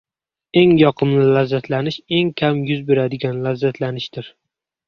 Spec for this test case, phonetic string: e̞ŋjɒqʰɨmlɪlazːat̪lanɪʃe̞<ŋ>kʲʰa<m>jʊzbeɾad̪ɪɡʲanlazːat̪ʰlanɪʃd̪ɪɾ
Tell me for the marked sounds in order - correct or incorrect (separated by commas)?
correct, correct